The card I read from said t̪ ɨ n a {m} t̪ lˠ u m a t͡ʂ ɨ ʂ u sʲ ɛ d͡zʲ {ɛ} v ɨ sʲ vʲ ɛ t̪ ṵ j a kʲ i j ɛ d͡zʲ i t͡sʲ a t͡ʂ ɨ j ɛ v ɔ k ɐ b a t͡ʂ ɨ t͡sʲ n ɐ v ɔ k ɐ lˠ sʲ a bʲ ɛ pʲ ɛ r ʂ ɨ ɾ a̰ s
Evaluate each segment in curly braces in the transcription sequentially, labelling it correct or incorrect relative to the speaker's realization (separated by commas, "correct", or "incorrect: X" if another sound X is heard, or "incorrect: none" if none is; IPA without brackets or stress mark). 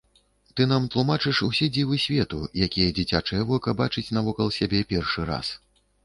correct, incorrect: i